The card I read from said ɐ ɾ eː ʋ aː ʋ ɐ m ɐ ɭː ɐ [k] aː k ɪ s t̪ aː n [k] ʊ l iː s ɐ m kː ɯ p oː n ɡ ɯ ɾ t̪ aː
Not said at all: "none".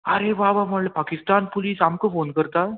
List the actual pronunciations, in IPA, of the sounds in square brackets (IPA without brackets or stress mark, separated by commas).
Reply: p, p